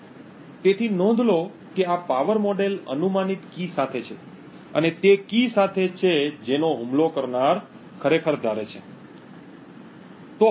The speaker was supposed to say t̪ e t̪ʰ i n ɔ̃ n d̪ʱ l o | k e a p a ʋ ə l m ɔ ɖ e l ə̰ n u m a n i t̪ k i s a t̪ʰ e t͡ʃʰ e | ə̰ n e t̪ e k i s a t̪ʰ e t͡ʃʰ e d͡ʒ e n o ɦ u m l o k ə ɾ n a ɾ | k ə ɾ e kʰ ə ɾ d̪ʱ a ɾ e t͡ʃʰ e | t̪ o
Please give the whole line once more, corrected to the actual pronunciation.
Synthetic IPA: t̪ e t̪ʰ i n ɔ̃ n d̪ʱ l o | k e a p a ʋ ə ɾ m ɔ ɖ e l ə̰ n u m a n i t̪ k i s a t̪ʰ e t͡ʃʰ e | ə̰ n e t̪ e k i s a t̪ʰ e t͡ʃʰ e d͡ʒ e n o ɦ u m l o k ə ɾ n a ɾ | kʰ ə ɾ e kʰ ə ɾ d̪ʱ a ɾ e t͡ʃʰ e | t̪ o